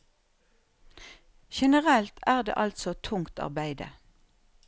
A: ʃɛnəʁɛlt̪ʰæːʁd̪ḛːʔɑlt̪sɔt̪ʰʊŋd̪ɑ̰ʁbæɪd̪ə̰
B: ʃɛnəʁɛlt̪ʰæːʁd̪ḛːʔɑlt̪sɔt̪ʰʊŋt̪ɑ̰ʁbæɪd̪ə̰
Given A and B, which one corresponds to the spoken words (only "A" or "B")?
B